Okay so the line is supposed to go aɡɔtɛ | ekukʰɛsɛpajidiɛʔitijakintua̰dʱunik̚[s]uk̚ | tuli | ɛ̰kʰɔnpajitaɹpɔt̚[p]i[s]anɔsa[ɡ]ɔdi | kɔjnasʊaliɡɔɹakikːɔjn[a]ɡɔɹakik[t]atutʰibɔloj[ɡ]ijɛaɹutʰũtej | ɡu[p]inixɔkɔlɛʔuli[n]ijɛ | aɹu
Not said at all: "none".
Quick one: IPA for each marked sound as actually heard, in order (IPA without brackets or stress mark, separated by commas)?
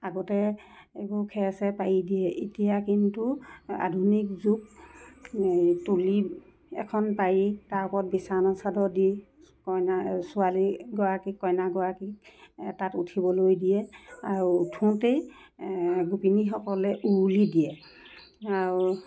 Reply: z, b, s, d, a, t, d, p, d